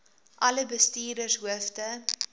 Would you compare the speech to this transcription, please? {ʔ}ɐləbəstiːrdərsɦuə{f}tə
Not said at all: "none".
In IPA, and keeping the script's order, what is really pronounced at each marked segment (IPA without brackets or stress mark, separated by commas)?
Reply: ʔ, f